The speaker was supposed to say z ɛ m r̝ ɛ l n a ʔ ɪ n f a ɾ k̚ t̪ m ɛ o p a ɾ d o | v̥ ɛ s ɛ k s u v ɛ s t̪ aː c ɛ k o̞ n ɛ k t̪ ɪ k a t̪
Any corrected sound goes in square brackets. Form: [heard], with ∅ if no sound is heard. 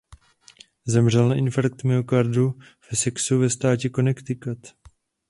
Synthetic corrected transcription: z ɛ m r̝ ɛ l n a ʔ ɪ n f a ɾ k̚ t̪ m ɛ o [k] a ɾ d [u] | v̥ ɛ s ɛ k s u v ɛ s t̪ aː c ɛ k o̞ n ɛ k t̪ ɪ k a t̪